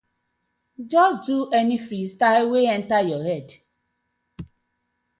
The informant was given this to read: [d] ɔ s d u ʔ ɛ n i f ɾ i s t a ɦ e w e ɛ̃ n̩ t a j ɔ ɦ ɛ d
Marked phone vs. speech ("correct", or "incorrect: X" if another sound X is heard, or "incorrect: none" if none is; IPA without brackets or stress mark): incorrect: d͡ʒ